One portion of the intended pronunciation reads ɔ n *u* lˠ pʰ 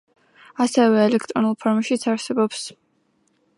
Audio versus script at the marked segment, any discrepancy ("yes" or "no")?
no